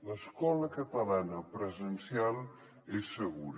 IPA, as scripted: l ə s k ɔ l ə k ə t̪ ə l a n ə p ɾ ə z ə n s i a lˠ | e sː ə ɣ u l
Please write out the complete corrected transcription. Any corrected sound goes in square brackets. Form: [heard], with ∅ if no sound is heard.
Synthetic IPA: l ə s k ɔ l ə k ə t̪ ə l a n ə p ɾ ə z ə n s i a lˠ | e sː ə ɣ u [ɾ]